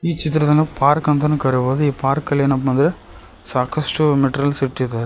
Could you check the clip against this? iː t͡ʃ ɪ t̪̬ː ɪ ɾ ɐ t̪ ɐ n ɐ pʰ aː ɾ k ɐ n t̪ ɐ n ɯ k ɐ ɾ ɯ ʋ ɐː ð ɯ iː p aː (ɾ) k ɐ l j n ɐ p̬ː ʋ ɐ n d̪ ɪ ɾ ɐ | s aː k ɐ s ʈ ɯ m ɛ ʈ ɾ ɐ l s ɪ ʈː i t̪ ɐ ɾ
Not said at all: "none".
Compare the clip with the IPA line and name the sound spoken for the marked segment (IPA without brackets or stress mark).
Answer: ɾ